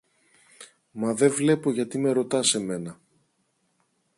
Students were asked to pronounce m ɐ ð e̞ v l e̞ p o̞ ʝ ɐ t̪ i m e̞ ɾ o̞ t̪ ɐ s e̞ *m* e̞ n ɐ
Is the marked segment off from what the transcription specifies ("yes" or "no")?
no